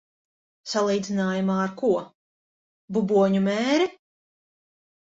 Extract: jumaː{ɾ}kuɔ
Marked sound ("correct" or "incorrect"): correct